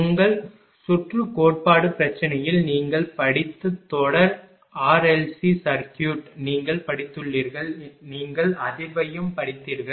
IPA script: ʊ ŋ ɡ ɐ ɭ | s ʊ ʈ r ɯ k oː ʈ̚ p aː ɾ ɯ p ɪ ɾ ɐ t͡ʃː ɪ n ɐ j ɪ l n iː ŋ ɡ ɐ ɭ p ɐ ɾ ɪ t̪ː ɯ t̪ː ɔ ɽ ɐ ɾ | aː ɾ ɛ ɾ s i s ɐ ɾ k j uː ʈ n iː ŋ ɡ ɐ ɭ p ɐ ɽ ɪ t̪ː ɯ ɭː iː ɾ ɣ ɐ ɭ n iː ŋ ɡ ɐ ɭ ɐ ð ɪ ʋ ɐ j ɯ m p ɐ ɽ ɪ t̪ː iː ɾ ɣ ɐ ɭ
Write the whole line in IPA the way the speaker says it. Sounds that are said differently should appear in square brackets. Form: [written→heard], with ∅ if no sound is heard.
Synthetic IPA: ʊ ŋ ɡ ɐ ɭ | s ʊ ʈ r ɯ k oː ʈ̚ p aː [ɾ→ɽ] ɯ p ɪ ɾ ɐ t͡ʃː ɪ n ɐ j ɪ l n iː ŋ ɡ ɐ ɭ p ɐ [ɾ→ɽ] ɪ t̪ː ɯ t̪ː ɔ ɽ ɐ ɾ | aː ɾ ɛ [ɾ→l] s i s ɐ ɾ k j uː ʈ n iː ŋ ɡ ɐ ɭ p ɐ ɽ ɪ t̪ː ɯ ɭː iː ɾ ɣ ɐ ɭ n iː ŋ ɡ ɐ ɭ ɐ ð ɪ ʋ ɐ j ɯ m p ɐ ɽ ɪ t̪ː iː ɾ ɣ ɐ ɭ

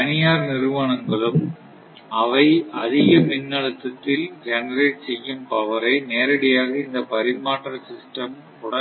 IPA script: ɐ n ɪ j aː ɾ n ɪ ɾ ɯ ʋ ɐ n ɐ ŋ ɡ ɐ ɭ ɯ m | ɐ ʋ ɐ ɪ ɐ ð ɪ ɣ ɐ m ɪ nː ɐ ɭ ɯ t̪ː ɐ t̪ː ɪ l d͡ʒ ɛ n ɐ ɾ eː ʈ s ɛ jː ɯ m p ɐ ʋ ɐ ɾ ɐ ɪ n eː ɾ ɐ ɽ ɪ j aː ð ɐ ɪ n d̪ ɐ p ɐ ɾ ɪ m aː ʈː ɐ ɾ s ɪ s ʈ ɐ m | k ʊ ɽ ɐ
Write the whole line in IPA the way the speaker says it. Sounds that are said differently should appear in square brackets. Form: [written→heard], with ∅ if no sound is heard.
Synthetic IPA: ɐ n ɪ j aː ɾ n ɪ ɾ ɯ ʋ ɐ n ɐ ŋ ɡ ɐ ɭ ɯ m | ɐ ʋ ɐ ɪ ɐ ð ɪ ɣ ɐ m ɪ nː ɐ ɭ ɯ t̪ː ɐ t̪ː ɪ l d͡ʒ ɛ n ɐ ɾ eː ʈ s ɛ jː ɯ m p ɐ ʋ ɐ ɾ ɐ ɪ n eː ɾ ɐ ɽ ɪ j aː [ð→ɣ] ɐ ɪ n d̪ ɐ p ɐ ɾ ɪ m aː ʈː ɐ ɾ s ɪ s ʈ ɐ m | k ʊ ɽ ɐ

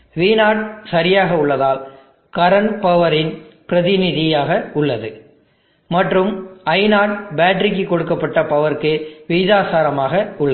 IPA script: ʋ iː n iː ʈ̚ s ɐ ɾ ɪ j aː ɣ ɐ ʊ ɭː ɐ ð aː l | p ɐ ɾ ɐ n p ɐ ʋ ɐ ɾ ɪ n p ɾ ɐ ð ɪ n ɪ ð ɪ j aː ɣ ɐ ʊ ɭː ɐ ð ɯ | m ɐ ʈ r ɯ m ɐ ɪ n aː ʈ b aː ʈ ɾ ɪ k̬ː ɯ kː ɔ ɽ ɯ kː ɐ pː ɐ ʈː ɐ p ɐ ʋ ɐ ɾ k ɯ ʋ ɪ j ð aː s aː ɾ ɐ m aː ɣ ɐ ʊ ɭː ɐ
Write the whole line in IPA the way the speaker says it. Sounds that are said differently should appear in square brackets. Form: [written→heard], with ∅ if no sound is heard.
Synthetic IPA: ʋ iː n [iː→aː] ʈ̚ s ɐ ɾ ɪ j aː ɣ ɐ ʊ ɭː ɐ ð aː l | [p→k] ɐ ɾ ɐ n p ɐ ʋ ɐ ɾ ɪ n p ɾ ɐ ð ɪ n ɪ ð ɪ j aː ɣ ɐ ʊ ɭː ɐ ð ɯ | m ɐ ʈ r ɯ m ɐ ɪ n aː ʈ b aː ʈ ɾ ɪ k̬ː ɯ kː ɔ ɽ ɯ kː ɐ pː ɐ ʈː ɐ p ɐ ʋ ɐ ɾ k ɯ ʋ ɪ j ð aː s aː ɾ ɐ m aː ɣ ɐ ʊ ɭː ɐ

